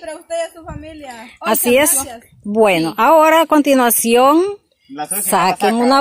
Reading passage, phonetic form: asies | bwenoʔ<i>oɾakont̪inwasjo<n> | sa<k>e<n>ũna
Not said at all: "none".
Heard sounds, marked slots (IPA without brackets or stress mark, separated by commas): a, ŋ, k, ŋ